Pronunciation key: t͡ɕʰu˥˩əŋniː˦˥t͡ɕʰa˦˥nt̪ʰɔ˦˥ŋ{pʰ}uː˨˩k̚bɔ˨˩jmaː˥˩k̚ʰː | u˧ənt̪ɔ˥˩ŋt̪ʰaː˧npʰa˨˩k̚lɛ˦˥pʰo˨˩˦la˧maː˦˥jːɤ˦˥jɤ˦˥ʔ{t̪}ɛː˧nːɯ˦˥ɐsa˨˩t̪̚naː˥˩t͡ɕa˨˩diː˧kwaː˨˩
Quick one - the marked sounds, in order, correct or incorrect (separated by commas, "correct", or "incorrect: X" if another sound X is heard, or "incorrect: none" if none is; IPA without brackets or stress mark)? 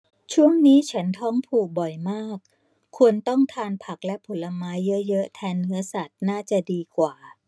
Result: correct, incorrect: t̪ʰ